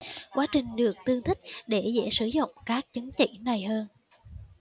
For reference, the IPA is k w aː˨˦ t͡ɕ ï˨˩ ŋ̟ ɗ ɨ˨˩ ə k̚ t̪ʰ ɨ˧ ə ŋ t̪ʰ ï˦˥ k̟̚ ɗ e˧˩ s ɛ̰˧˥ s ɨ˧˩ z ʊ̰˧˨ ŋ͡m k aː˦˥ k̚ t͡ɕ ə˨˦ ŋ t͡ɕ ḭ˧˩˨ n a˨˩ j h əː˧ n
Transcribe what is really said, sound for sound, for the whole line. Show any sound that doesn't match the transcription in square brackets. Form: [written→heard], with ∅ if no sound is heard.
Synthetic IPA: k w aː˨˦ t͡ɕ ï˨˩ ŋ̟ ɗ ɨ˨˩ ə k̚ [t̪ʰ→t̪] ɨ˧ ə ŋ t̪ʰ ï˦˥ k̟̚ ɗ e˧˩ [s→z] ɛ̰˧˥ s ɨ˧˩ z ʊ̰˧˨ ŋ͡m k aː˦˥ k̚ t͡ɕ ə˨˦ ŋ t͡ɕ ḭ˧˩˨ n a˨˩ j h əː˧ n